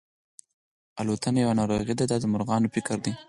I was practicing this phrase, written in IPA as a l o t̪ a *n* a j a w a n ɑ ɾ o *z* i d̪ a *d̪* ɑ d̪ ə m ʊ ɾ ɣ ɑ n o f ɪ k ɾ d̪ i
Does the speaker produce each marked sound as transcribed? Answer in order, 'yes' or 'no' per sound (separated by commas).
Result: yes, no, yes